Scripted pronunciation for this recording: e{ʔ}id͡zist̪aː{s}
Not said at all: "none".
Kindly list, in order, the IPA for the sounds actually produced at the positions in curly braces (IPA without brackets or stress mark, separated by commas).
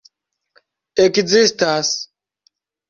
k, s